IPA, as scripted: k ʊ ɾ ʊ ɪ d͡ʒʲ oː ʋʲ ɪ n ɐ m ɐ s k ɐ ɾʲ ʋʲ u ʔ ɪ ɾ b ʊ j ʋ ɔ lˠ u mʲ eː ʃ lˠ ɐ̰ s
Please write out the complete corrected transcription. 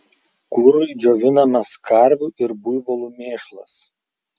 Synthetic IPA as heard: k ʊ ɾ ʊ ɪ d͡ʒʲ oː ʋʲ ɪ n ɐ m ɐ s k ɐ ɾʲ ʋʲ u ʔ ɪ ɾ b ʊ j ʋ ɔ lˠ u mʲ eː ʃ lˠ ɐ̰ s